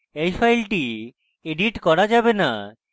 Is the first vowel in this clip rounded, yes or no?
no